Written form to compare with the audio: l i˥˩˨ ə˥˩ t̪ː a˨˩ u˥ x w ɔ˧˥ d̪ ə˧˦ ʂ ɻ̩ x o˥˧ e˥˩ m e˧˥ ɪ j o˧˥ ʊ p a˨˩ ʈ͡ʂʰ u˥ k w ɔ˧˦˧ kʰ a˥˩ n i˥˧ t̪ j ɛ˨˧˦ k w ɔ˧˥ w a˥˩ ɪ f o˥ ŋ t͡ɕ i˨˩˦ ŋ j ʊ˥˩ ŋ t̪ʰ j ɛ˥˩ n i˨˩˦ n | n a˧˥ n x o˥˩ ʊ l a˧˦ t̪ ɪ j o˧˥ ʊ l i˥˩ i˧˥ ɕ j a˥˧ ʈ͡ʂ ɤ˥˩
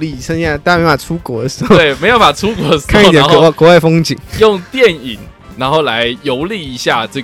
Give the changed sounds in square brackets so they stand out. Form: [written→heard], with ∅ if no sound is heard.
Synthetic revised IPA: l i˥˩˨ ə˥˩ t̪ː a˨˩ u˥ [x→k] w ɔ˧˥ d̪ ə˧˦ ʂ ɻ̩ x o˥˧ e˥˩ m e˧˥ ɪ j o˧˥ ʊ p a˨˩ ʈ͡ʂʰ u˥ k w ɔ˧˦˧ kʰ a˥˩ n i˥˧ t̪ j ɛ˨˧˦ k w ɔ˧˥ w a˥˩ ɪ f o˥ ŋ t͡ɕ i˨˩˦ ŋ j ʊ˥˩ ŋ [t̪ʰ→t̪] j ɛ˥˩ n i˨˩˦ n | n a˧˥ n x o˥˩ ʊ l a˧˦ [t̪→∅] ɪ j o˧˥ ʊ l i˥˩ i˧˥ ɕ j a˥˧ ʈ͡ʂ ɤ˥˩